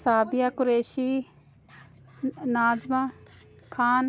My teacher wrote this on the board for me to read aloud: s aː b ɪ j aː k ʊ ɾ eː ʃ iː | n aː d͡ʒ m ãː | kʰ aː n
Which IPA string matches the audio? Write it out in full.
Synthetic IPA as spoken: s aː b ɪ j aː k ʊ ɾ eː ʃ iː | n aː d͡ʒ m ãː | kʰ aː n